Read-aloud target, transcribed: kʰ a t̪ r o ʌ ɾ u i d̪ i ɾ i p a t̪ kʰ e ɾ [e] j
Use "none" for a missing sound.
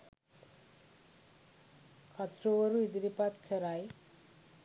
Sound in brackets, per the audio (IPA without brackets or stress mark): a